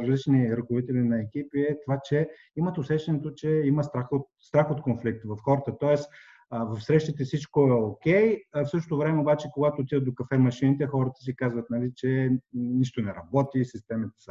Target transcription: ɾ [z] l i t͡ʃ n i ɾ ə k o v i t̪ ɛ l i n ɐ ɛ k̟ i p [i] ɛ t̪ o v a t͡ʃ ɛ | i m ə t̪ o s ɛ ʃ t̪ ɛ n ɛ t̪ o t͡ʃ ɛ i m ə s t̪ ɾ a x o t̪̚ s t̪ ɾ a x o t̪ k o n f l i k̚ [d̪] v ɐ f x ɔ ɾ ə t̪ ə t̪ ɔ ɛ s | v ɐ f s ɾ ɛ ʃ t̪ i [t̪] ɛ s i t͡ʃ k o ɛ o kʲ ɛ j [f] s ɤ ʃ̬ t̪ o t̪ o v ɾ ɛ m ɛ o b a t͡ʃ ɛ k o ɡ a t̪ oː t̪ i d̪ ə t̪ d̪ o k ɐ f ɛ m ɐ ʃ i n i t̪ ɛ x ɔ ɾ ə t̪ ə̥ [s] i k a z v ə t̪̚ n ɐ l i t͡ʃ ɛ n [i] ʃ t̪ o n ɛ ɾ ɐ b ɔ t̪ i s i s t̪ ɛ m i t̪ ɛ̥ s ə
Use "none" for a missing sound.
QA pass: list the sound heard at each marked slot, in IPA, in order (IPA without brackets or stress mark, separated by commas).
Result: z, i, t̪, t̪, f, s, i